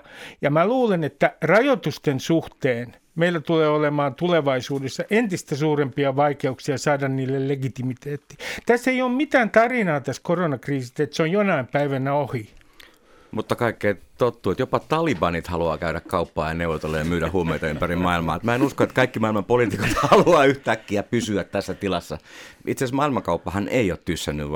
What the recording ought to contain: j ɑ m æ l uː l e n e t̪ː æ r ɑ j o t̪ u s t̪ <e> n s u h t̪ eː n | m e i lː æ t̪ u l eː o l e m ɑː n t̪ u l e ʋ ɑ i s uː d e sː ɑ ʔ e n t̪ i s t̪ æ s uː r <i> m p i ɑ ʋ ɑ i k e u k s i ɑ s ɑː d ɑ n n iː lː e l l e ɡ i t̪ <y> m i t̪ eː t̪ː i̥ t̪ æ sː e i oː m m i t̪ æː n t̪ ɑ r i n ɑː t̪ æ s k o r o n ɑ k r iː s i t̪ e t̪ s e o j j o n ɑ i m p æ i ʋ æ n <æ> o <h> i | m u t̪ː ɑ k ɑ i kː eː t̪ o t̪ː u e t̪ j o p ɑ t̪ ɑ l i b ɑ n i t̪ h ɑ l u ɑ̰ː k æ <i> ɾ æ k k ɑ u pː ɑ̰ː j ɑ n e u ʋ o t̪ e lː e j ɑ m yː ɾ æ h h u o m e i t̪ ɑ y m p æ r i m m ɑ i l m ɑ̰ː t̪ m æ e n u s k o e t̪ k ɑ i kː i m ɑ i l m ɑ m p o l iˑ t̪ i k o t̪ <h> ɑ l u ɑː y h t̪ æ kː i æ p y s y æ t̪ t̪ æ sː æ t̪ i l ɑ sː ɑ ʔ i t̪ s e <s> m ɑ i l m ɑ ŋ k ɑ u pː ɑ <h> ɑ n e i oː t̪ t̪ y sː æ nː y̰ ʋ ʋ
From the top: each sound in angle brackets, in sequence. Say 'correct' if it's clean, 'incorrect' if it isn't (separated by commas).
correct, incorrect, incorrect, correct, correct, incorrect, correct, correct, correct